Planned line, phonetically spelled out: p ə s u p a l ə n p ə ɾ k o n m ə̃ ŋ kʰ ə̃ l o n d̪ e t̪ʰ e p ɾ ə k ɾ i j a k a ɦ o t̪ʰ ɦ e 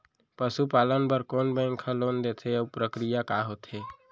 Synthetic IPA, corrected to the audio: p ə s u p a l ə n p ə ɾ k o n b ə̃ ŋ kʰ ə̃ l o n d̪ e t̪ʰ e p ɾ ə k ɾ i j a k a ɦ o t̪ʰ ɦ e

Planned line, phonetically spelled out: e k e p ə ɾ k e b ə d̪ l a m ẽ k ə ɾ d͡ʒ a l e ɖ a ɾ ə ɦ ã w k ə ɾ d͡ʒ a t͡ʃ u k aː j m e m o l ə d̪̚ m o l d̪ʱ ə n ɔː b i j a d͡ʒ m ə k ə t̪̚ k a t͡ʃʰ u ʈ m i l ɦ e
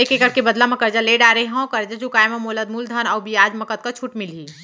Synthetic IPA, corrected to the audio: e k e k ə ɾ k e b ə d̪ l a m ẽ k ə ɾ d͡ʒ a l e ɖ a ɾ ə ɦ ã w k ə ɾ d͡ʒ a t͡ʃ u k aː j m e m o l ə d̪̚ m u l d̪ʱ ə n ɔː b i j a d͡ʒ m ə k ə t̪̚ k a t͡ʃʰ u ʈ m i l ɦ i

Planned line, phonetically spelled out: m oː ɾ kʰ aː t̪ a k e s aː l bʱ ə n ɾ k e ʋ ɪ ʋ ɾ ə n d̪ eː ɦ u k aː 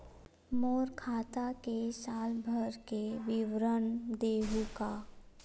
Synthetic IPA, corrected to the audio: m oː ɾ kʰ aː t̪ a k e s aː l bʱ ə ɾ k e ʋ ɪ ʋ ɾ ə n d̪ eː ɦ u k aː

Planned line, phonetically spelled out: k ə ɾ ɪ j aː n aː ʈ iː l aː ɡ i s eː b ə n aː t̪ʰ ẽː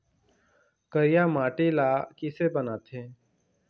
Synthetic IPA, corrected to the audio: k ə ɾ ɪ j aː m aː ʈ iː l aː k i s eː b ə n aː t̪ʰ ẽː

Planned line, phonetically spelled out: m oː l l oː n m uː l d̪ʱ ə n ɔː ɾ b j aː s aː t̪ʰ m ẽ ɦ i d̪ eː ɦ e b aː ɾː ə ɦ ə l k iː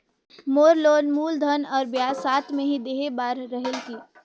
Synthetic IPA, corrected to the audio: m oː ɾ l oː n m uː l d̪ʱ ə n ɔː ɾ b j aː s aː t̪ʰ m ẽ ɦ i d̪ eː ɦ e b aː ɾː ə ɦ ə l k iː

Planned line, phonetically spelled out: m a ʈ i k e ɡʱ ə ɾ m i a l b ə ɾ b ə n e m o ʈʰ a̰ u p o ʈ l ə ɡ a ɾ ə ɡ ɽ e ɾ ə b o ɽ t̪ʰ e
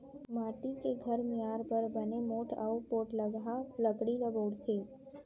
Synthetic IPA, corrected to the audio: m a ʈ i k e ɡʱ ə ɾ m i a ɾ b ə ɾ b ə n e m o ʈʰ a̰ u p o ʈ l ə ɡ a l ə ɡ ɽ i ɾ ə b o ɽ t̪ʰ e

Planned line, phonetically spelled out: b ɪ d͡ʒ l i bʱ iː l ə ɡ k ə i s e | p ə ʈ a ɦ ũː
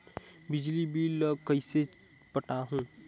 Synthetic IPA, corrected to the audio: b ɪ d͡ʒ l i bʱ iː l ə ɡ k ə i s e | p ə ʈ a ɦ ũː

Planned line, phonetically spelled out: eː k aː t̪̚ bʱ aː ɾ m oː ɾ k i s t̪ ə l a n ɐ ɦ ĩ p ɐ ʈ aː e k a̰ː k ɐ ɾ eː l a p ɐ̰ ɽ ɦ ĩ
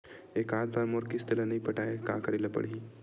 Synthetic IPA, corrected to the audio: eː k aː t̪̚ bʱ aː ɾ m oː ɾ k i s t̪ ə l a n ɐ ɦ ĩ p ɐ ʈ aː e k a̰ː k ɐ ɾ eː l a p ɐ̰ ɽ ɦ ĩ

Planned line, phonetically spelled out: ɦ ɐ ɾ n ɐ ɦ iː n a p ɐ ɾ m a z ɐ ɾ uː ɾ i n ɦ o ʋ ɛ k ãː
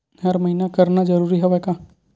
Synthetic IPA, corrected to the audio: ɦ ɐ ɾ m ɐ ɦ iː n a k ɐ ɾ n a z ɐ ɾ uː ɾ i ɦ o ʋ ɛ k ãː

